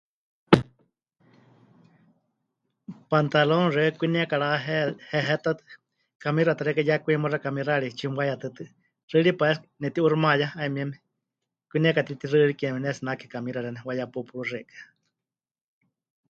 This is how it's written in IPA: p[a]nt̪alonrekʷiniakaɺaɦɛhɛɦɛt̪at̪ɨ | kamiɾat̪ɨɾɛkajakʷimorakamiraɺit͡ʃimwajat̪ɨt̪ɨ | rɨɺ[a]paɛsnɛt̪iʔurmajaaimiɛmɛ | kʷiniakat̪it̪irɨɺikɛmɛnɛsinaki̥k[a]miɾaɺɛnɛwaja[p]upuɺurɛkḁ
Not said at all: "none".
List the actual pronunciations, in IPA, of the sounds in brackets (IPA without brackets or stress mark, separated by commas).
a, i, a, p